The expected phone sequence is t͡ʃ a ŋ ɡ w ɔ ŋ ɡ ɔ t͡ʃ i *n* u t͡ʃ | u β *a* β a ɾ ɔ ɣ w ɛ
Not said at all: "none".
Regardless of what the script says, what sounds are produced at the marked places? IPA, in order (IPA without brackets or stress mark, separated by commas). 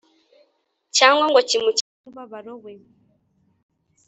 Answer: m, a